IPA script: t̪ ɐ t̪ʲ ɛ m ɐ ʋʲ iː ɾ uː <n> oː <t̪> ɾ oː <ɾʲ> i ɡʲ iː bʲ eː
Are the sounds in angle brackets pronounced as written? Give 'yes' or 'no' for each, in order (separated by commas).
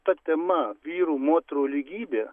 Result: no, yes, no